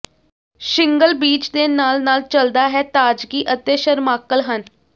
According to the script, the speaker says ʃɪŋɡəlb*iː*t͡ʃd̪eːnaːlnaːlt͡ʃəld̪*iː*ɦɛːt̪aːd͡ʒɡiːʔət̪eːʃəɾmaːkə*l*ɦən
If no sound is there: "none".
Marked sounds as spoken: iː, aː, l

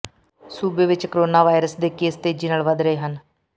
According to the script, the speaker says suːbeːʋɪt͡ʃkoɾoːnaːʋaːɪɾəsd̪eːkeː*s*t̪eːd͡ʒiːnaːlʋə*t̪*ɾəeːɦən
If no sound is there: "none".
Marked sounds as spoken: s, d̪

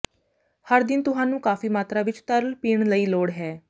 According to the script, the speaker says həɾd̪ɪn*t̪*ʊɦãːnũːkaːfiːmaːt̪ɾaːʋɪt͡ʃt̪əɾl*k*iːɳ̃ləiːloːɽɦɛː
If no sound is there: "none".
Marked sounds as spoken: t̪, p

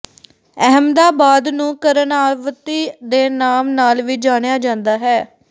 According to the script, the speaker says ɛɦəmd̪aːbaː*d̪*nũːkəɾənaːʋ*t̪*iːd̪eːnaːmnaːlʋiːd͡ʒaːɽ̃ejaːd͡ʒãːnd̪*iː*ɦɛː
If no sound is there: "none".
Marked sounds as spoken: d̪, t̪, aː

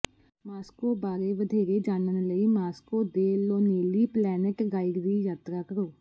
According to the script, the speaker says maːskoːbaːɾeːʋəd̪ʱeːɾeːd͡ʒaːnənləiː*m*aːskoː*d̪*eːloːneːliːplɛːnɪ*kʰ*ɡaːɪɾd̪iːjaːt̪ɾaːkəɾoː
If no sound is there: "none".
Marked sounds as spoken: m, d̪, k

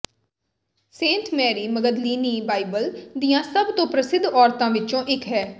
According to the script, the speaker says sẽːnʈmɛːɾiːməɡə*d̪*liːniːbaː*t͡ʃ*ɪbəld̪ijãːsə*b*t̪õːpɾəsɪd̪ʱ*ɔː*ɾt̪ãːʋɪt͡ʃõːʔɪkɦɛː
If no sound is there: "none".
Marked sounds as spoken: d̪, none, b, ɔː

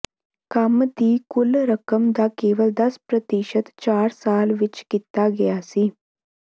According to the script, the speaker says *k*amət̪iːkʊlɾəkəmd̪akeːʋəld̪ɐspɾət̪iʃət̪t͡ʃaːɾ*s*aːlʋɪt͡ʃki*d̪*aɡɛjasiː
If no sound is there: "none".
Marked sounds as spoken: k, s, t̪

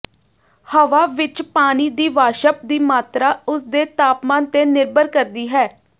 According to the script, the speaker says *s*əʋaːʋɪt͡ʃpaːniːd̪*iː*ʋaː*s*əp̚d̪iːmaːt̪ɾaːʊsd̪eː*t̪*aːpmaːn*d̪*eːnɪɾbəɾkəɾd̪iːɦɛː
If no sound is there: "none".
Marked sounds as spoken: h, iː, ʃ, t̪, t̪

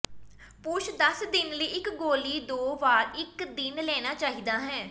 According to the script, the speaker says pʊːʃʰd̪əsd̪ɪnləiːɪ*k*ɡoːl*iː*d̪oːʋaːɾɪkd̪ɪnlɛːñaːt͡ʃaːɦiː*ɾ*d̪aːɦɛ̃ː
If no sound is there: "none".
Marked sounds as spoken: k, iː, none

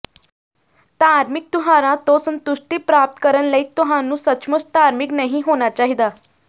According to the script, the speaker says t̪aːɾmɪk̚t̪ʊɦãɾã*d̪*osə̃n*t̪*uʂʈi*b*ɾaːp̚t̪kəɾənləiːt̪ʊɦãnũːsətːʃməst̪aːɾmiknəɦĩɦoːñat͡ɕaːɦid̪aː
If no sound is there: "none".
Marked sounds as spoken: t̪, t̪, p

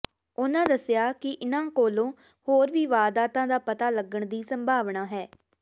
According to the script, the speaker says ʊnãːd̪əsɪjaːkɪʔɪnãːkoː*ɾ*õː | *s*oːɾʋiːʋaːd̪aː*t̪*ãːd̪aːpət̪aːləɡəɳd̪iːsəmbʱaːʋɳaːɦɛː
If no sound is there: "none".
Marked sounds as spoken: l, h, t̪

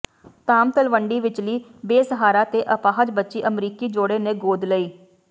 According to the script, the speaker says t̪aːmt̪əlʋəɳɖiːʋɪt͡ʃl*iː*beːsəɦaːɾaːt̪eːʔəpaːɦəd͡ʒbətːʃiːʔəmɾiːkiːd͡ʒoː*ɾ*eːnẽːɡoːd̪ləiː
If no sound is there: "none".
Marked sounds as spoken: iː, ɽ

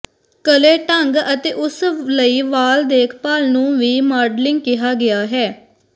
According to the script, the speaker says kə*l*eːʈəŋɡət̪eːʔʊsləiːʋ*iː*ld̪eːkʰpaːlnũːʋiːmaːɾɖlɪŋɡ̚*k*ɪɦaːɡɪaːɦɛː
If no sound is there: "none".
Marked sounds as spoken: l, aː, k

